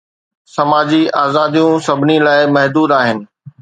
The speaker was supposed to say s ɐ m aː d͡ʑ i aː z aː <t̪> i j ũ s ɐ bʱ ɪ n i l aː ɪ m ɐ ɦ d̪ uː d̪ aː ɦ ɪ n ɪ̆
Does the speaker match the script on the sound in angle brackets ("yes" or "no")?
no